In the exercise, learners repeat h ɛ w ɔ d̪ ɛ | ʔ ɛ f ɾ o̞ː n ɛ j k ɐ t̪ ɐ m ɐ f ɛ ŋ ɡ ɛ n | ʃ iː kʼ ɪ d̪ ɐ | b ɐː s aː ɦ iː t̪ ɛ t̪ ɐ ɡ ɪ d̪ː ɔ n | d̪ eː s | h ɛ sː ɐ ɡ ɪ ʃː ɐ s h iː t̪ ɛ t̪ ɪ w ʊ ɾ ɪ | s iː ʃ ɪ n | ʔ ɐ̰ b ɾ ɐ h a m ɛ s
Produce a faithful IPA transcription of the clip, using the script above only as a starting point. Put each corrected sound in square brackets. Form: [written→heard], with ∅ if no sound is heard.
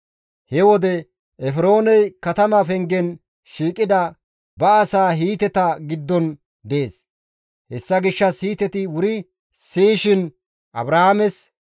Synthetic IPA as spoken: h ɛ w ɔ d̪ ɛ | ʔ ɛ f ɾ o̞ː n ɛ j k ɐ t̪ ɐ m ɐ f ɛ ŋ ɡ ɛ n | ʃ iː kʼ ɪ d̪ ɐ | b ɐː s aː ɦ iː t̪ ɛ t̪ ɐ ɡ ɪ d̪ː ɔ n | d̪ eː s | h ɛ sː ɐ ɡ ɪ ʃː ɐ s h iː t̪ ɛ t̪ ɪ w ʊ ɾ ɪ | s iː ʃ ɪ n | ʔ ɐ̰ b ɾ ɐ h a m ɛ s

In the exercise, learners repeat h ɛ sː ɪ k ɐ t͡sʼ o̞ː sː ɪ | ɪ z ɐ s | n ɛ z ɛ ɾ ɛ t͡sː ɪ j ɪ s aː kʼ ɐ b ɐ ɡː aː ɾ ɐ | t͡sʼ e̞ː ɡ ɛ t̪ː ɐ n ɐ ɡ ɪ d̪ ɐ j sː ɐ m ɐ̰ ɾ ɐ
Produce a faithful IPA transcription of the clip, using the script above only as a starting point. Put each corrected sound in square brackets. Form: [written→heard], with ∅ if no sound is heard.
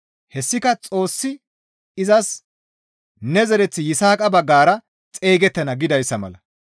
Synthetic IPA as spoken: h ɛ sː ɪ k ɐ t͡sʼ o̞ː sː ɪ | ɪ z ɐ s | n ɛ z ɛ ɾ ɛ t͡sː ɪ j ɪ s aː kʼ ɐ b ɐ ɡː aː ɾ ɐ | t͡sʼ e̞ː ɡ ɛ t̪ː ɐ n ɐ ɡ ɪ d̪ ɐ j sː ɐ m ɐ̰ [ɾ→l] ɐ

